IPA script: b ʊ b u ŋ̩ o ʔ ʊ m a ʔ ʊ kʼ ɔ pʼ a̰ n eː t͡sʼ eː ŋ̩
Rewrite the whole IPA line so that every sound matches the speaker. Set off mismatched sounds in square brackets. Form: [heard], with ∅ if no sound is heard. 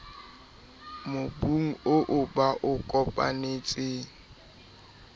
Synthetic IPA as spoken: [m] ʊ b u ŋ̩ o ʔ ʊ [b] a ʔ ʊ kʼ ɔ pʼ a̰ n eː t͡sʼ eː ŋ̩